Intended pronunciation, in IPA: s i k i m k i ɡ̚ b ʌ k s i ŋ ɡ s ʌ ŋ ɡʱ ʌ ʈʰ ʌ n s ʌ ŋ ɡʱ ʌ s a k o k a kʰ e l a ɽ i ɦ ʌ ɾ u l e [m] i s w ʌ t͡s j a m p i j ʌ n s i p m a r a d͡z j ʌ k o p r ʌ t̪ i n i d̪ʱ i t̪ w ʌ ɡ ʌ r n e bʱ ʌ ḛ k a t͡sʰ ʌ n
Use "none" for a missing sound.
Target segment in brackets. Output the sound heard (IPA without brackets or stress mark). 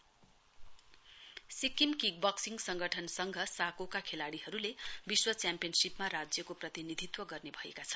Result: b